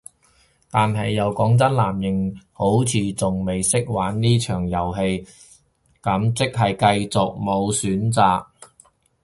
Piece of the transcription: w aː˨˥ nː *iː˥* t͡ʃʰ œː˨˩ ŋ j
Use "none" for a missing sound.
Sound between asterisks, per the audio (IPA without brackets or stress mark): iː˥